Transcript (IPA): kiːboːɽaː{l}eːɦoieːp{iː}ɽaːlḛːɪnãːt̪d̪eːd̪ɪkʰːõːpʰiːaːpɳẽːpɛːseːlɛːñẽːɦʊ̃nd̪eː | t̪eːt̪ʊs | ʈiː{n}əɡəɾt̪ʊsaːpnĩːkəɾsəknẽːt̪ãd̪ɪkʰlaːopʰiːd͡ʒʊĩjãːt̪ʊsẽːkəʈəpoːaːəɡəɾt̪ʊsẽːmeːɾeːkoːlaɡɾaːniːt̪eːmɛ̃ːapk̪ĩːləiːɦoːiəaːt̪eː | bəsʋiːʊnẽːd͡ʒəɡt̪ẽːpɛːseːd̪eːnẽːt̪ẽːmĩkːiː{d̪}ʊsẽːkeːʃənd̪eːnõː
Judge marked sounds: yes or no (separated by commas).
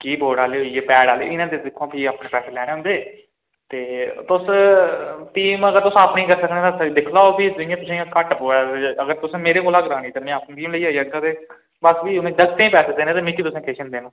yes, no, no, no